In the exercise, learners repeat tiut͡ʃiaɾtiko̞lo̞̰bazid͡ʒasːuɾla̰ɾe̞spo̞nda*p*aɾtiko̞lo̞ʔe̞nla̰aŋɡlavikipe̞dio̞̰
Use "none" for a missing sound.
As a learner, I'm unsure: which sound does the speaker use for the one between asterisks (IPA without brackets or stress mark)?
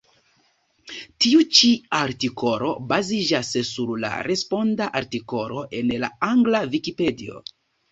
ʔ